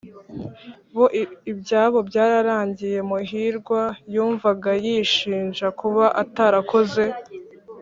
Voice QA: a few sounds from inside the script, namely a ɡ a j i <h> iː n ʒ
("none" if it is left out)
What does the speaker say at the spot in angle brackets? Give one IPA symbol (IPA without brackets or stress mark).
ʃ